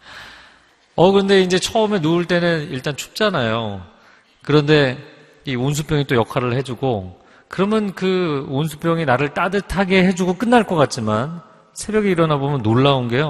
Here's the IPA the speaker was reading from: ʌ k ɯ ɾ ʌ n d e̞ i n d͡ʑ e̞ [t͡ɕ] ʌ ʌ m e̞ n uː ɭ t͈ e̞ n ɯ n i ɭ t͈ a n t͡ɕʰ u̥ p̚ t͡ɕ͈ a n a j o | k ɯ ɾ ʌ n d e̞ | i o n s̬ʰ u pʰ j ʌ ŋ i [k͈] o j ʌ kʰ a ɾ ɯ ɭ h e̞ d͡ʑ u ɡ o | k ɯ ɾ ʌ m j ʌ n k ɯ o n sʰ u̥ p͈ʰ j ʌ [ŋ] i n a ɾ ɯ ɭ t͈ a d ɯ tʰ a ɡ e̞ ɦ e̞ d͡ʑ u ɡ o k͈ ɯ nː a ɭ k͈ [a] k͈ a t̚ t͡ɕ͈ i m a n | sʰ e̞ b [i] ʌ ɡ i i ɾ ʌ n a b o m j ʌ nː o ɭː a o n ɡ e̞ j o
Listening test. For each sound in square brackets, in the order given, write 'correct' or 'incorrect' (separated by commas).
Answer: incorrect, incorrect, correct, incorrect, incorrect